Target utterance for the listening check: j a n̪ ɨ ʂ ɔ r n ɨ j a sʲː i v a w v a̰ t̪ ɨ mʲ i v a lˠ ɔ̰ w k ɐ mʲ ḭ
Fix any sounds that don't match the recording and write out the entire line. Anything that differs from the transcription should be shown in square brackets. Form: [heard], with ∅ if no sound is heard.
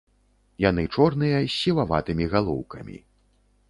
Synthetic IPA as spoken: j a n̪ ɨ [t͡ʂ] ɔ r n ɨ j [ɐ] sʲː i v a [∅] v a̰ t̪ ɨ mʲ i [ɣ] a lˠ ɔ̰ w k ɐ mʲ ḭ